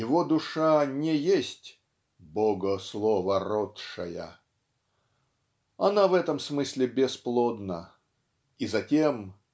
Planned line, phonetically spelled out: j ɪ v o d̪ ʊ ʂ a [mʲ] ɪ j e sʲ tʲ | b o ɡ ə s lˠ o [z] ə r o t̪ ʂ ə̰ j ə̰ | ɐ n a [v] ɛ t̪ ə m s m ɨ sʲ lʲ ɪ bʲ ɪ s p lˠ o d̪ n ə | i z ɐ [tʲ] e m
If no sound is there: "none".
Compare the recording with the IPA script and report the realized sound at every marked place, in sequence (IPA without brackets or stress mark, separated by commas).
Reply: nʲ, v, v, tʲ